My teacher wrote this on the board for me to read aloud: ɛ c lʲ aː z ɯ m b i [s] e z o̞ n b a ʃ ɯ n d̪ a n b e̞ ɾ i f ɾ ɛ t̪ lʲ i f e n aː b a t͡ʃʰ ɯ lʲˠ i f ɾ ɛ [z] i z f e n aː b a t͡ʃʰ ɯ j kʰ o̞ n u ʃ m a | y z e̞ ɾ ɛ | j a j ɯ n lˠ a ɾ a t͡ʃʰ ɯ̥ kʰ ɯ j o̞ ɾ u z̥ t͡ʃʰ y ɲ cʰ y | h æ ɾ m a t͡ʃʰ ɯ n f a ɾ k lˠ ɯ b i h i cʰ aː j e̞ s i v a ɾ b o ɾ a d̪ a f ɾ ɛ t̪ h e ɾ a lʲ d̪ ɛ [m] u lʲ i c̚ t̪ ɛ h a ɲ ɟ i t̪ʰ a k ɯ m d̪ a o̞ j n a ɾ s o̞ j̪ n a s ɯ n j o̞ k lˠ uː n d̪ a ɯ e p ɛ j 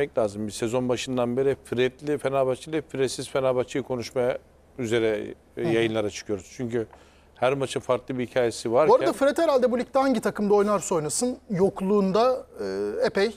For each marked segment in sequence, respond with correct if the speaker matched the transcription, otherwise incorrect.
correct, incorrect: s, incorrect: b

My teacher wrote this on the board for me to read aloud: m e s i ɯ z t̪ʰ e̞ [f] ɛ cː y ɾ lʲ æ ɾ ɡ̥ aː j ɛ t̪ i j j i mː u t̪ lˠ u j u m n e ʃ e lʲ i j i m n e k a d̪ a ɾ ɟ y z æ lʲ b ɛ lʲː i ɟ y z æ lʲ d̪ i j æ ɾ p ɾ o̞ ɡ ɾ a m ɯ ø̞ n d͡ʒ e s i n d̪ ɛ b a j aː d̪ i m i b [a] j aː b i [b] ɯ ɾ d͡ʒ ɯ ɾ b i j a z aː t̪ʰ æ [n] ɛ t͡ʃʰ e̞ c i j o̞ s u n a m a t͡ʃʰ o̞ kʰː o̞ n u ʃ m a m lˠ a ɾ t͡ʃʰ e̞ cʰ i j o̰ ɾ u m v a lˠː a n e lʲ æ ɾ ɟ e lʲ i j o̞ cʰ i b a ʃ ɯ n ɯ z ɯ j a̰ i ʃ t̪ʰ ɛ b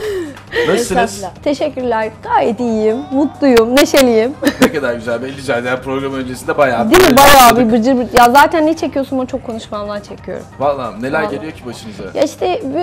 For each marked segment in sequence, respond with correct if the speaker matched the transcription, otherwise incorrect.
incorrect: ʃ, correct, correct, incorrect: nː

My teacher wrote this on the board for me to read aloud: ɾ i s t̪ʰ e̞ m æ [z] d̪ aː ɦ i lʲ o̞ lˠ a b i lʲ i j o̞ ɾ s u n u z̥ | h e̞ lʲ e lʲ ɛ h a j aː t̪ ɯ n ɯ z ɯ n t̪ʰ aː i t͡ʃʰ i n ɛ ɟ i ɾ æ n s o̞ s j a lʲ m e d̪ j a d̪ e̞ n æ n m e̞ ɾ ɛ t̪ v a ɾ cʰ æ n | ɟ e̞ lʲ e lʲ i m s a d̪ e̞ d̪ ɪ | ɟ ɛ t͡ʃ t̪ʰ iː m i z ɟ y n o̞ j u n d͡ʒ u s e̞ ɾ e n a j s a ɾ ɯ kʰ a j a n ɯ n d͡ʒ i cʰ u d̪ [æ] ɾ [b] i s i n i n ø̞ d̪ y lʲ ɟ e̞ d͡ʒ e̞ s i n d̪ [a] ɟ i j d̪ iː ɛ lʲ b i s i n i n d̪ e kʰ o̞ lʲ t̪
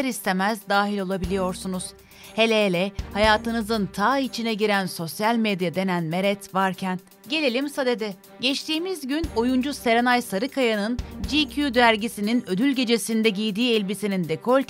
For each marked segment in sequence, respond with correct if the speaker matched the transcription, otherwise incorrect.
correct, correct, incorrect: ɟ, incorrect: ɛ

